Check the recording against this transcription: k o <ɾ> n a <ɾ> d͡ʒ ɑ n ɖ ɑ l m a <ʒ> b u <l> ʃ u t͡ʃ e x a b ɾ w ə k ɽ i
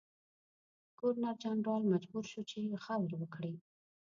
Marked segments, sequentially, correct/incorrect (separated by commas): correct, correct, incorrect, incorrect